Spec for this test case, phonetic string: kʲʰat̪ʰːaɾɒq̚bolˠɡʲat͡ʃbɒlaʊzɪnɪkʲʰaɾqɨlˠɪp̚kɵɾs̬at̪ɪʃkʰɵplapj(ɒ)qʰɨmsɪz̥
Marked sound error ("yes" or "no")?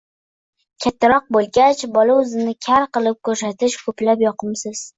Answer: no